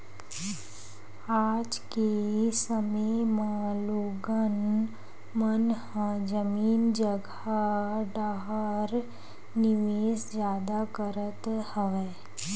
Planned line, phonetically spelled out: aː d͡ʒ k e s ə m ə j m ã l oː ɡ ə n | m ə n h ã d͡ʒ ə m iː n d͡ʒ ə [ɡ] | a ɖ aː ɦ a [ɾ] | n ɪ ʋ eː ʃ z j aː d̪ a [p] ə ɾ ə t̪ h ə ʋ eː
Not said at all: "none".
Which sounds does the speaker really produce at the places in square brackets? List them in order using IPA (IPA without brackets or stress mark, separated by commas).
ɡ, ɾ, k